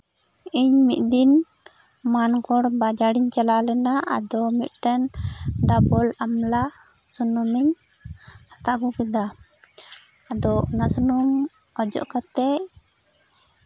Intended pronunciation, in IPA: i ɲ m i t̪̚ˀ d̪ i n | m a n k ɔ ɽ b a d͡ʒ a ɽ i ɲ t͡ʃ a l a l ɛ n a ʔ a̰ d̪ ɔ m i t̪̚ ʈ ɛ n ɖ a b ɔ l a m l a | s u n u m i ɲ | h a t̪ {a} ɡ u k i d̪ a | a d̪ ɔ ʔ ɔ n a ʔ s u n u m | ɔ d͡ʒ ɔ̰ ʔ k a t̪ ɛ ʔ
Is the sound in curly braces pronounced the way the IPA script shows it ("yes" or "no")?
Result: yes